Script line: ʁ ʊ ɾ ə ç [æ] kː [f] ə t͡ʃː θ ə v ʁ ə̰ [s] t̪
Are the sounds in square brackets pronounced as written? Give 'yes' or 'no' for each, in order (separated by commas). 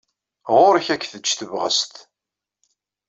yes, no, yes